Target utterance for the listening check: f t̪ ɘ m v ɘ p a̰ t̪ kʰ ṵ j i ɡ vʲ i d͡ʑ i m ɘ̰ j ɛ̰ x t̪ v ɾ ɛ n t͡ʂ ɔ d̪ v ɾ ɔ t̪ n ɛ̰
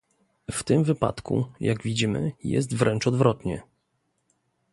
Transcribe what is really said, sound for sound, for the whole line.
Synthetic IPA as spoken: f t̪ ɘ m v ɘ p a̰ t̪ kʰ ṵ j a ɡ vʲ i d͡ʑ i m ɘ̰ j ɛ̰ s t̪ v ɾ ɛ n t͡ʂ ɔ d̪ v ɾ ɔ t̪ ɲ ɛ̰